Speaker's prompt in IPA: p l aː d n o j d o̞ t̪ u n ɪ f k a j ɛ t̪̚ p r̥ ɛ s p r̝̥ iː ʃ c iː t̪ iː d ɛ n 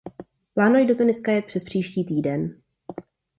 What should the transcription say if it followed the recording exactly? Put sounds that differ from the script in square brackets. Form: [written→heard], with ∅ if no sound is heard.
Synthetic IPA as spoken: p l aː [d→∅] n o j d o̞ t̪ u n ɪ [f→s] k a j ɛ t̪̚ p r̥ ɛ s p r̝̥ iː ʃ c iː t̪ iː d ɛ n